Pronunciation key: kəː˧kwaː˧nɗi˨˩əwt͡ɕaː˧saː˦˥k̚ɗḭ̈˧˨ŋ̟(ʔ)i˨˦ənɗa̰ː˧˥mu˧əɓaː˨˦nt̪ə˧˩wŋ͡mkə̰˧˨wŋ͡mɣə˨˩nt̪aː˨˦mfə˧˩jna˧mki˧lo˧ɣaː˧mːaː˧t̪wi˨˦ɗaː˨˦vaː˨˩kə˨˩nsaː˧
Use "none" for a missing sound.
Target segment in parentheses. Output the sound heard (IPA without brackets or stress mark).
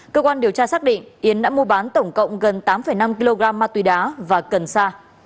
ʔ